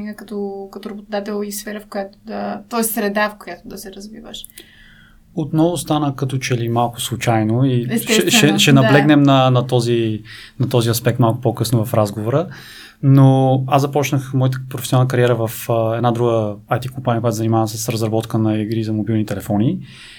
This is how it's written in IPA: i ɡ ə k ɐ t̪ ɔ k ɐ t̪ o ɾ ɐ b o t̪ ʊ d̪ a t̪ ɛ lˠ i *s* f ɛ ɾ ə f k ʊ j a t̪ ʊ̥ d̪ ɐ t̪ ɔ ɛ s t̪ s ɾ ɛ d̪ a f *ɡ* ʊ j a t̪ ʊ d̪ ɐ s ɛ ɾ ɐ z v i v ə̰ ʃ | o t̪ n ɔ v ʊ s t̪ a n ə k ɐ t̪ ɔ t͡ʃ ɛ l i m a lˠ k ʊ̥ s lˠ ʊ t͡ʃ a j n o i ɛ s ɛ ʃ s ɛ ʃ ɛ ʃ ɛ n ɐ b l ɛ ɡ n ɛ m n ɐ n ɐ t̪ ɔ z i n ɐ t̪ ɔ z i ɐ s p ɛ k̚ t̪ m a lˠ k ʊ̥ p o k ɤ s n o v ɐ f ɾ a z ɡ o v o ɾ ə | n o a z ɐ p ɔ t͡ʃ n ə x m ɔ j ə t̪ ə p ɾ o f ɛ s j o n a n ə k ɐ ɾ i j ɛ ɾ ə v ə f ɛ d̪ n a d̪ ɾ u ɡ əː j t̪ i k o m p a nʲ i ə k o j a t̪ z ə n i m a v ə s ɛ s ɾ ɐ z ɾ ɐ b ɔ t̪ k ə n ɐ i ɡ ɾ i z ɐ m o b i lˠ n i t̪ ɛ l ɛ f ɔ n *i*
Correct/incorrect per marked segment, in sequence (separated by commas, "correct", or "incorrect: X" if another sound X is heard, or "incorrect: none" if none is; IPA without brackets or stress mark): correct, incorrect: k, correct